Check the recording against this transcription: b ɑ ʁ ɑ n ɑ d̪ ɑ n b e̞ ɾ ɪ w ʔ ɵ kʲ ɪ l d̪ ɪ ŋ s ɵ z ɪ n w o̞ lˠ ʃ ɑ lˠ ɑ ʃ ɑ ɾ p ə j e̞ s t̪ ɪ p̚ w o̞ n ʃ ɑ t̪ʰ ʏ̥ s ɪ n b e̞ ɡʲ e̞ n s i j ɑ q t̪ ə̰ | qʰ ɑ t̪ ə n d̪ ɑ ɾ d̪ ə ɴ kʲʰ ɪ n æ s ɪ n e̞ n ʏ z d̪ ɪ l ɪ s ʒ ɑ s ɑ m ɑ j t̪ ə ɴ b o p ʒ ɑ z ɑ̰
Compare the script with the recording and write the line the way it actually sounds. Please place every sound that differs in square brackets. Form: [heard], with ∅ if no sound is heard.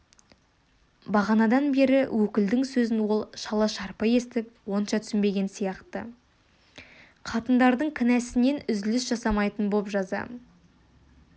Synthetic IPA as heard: b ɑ ʁ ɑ n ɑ d̪ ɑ n b e̞ ɾ ɪ w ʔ ɵ kʲ ɪ l d̪ ɪ ŋ s ɵ z ɪ n w o̞ lˠ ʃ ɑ lˠ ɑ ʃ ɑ ɾ p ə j e̞ s t̪ ɪ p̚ w o̞ n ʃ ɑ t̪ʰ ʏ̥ s ɪ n b e̞ ɡʲ e̞ n s i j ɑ q t̪ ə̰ | qʰ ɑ t̪ ə n d̪ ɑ ɾ d̪ ə ɴ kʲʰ ɪ n æ s ɪ n e̞ n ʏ z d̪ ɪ l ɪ s ʒ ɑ s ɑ m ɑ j t̪ ə [n] b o p ʒ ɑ z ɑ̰

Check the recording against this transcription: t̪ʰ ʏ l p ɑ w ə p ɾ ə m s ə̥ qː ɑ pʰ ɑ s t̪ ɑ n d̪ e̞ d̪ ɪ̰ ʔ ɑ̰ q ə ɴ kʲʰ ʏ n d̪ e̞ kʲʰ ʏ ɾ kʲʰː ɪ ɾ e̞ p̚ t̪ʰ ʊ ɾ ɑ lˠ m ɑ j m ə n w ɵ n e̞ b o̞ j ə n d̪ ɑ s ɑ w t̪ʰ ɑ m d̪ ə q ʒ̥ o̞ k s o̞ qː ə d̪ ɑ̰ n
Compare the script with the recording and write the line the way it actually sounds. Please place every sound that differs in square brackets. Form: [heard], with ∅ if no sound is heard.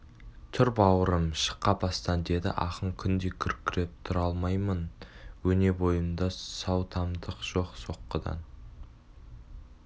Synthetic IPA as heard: t̪ʰ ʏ [ɾ] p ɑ w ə [∅] ɾ ə m [ʃ] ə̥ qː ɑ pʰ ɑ s t̪ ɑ n d̪ e̞ d̪ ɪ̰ ʔ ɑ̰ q ə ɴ kʲʰ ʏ n d̪ e̞ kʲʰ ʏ ɾ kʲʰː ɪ ɾ e̞ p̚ t̪ʰ ʊ ɾ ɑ lˠ m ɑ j m ə n w ɵ n e̞ b o̞ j ə n d̪ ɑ s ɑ w t̪ʰ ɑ m d̪ ə q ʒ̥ o̞ [q] s o̞ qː ə d̪ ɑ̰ n

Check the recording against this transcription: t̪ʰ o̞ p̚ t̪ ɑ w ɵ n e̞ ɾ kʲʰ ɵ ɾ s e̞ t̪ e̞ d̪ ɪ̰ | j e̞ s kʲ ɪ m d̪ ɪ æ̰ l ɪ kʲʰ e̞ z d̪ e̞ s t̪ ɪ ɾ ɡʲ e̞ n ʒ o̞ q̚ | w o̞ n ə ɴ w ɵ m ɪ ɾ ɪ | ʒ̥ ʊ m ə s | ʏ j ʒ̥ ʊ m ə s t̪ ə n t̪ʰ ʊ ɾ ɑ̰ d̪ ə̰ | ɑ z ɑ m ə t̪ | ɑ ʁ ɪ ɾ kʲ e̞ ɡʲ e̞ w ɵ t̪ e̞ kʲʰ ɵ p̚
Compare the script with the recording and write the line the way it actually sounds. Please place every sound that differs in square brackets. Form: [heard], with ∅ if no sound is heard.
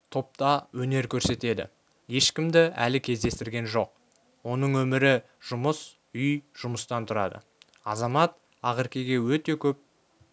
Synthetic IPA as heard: t̪ʰ o̞ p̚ t̪ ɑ w ɵ n e̞ ɾ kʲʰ ɵ ɾ s e̞ t̪ e̞ d̪ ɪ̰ | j e̞ [ʃ] kʲ ɪ m d̪ ɪ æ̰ l ɪ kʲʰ e̞ z d̪ e̞ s t̪ ɪ ɾ ɡʲ e̞ n ʒ o̞ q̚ | w o̞ n ə ɴ w ɵ m ɪ ɾ ɪ | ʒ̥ ʊ m ə s | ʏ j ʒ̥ ʊ m ə s t̪ [ɑ] n t̪ʰ ʊ ɾ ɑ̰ d̪ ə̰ | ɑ z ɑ m [ɑ] t̪ | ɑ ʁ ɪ ɾ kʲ e̞ ɡʲ e̞ w ɵ t̪ e̞ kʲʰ ɵ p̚

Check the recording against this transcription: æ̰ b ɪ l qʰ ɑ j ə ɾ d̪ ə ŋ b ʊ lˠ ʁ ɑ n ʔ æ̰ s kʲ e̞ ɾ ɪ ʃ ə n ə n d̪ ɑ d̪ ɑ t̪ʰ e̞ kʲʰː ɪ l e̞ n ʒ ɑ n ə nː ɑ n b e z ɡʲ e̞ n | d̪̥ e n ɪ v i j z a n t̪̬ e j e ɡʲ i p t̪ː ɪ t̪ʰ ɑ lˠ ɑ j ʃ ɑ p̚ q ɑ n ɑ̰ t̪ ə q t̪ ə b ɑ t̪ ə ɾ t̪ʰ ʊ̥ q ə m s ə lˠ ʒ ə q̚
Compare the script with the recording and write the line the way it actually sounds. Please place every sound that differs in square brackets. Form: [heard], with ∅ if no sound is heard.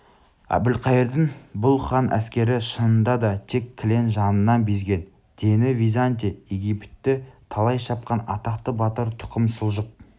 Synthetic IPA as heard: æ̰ b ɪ l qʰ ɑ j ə ɾ d̪ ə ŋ b ʊ lˠ [χ] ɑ n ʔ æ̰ s kʲ e̞ ɾ ɪ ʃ ə n ə n d̪ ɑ d̪ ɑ t̪ʰ e̞ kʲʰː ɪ l e̞ n ʒ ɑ n ə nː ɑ n b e z ɡʲ e̞ n | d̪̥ e n ɪ v i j z a n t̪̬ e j e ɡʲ i p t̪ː ɪ t̪ʰ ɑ lˠ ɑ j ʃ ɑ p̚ q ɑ n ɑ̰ t̪ [ɑ] q t̪ ə b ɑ t̪ ə ɾ t̪ʰ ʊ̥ q ə m s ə lˠ ʒ ə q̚

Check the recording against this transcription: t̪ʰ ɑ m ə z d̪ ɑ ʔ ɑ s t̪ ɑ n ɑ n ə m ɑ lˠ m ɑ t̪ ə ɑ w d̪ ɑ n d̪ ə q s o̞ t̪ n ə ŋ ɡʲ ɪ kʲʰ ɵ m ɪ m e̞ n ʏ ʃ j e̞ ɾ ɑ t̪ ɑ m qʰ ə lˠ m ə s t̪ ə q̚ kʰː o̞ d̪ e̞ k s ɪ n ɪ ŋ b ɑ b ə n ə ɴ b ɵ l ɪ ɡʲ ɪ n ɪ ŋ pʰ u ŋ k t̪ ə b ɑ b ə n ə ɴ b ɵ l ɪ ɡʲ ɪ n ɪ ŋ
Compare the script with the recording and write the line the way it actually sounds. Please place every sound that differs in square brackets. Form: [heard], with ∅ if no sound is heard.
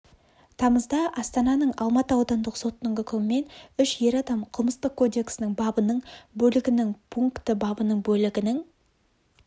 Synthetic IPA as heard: t̪ʰ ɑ m ə z d̪ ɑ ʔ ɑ s t̪ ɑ n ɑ n ə [ɴ] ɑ lˠ m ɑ t̪ ə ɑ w d̪ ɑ n d̪ ə q s o̞ t̪ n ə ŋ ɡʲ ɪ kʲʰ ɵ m ɪ m e̞ n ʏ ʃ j e̞ ɾ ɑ [d̪] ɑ m qʰ ə lˠ m ə s t̪ ə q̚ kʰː o̞ d̪ e̞ k s ɪ n ɪ ŋ b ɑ b ə n ə ɴ b ɵ l ɪ ɡʲ ɪ n ɪ ŋ pʰ u ŋ k t̪ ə b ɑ b ə n ə ɴ b ɵ l ɪ ɡʲ ɪ n ɪ ŋ

